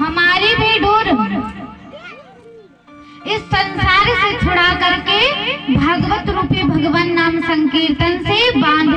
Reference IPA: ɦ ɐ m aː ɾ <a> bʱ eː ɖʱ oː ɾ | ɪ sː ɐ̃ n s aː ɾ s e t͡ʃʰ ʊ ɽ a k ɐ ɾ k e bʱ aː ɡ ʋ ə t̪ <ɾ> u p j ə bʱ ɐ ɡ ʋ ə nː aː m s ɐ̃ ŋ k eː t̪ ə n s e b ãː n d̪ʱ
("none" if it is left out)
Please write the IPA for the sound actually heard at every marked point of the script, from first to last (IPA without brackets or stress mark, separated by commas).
i, ɾ